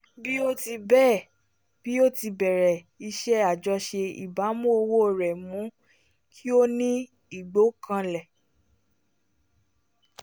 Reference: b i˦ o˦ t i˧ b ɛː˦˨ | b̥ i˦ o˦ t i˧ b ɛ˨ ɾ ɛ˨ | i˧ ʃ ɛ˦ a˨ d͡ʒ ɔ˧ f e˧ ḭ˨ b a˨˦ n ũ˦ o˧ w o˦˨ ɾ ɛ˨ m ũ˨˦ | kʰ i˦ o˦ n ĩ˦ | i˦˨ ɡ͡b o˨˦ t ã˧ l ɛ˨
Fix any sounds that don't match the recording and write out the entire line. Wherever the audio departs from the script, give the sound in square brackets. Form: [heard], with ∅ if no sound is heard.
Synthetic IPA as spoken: b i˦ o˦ t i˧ b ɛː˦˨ | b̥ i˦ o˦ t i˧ b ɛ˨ ɾ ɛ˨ | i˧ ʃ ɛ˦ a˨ d͡ʒ ɔ˧ [ʃ] e˧ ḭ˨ b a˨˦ [m] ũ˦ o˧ w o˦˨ ɾ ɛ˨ m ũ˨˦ | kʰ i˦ o˦ n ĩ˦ | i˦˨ ɡ͡b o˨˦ [k] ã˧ l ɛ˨